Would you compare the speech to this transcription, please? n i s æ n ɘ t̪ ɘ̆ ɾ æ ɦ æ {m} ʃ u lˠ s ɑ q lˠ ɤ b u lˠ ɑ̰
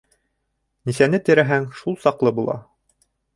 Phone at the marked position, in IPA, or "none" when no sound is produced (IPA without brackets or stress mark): ŋ